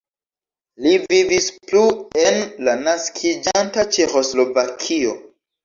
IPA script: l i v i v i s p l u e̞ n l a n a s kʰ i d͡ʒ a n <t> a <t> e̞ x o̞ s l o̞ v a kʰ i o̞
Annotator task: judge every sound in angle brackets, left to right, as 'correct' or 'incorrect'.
correct, incorrect

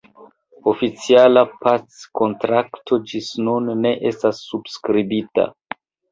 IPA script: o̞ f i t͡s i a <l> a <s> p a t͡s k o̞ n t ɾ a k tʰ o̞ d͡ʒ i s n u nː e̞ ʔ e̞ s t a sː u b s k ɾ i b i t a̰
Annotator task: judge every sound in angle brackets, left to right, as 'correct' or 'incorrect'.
correct, incorrect

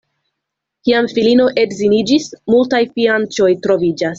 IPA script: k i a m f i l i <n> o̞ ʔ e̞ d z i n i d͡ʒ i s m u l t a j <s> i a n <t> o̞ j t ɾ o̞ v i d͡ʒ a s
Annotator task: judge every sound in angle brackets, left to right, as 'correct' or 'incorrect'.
correct, incorrect, incorrect

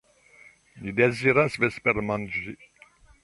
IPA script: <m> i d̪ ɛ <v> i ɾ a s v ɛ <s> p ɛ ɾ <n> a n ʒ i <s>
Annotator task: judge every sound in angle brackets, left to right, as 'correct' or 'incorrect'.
incorrect, incorrect, correct, incorrect, incorrect

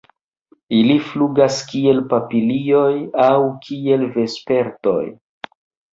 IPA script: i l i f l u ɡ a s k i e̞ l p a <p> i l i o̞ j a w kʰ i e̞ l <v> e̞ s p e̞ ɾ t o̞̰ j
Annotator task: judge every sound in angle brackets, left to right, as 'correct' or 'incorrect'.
correct, correct

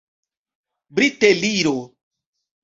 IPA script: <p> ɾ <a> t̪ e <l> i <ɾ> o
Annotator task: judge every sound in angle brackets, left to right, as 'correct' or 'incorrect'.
incorrect, incorrect, correct, correct

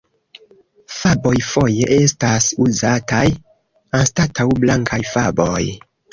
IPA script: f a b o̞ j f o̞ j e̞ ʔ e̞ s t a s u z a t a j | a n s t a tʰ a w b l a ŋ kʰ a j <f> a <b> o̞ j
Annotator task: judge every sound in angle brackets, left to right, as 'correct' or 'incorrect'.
correct, correct

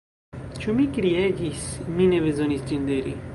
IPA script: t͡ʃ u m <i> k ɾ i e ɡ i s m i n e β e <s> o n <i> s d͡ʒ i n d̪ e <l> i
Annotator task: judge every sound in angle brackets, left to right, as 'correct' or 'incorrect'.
correct, incorrect, correct, incorrect

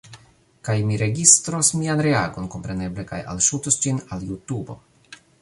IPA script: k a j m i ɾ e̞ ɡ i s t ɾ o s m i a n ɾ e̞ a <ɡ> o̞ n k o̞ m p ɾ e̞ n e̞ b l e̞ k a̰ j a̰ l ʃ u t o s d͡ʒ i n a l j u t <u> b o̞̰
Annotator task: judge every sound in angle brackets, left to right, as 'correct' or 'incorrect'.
correct, correct

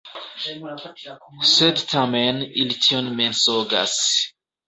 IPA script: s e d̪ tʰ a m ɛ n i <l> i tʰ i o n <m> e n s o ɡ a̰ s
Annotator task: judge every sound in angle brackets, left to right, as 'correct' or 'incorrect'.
correct, correct

